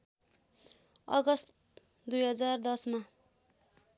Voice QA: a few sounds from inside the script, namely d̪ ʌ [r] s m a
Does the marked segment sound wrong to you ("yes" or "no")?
yes